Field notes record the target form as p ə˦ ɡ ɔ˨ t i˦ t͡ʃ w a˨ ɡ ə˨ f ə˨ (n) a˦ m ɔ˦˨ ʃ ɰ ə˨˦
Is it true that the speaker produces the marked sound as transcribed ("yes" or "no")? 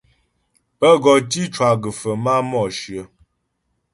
no